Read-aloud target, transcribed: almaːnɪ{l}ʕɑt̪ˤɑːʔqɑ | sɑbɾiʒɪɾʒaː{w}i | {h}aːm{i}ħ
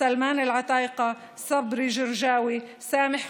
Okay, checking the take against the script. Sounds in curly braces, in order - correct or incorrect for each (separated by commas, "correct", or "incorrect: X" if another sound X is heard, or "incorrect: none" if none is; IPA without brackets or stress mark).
correct, correct, incorrect: s, incorrect: ɪ